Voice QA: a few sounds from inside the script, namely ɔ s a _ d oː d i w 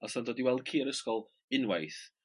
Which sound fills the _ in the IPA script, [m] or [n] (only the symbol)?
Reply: n